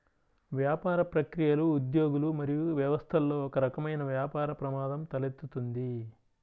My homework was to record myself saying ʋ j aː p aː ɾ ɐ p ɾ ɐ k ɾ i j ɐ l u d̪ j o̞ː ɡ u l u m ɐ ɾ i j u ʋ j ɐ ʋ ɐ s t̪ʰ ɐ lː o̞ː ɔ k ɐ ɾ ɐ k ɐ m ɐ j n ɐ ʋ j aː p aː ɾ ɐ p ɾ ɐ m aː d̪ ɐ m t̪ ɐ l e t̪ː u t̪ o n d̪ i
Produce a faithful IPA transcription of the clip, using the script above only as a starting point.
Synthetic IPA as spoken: ʋ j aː p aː ɾ ɐ p ɾ ɐ k ɾ i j ɐ l uː d̪ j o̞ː ɡ u l u m ɐ ɾ i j u ʋ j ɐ ʋ ɐ s t̪ʰ ɐ lː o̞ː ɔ k ɐ ɾ ɐ k ɐ m ɐ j n ɐ ʋ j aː p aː ɾ ɐ p ɾ ɐ m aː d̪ ɐ m t̪ ɐ l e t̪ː u t̪ u n d̪ i